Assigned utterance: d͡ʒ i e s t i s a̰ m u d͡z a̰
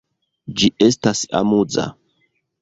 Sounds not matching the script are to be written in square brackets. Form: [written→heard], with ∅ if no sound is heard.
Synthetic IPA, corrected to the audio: d͡ʒ i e s t [i→a] s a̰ m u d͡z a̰